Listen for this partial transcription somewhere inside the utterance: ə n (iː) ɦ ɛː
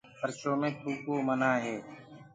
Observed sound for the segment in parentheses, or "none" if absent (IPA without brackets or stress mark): aː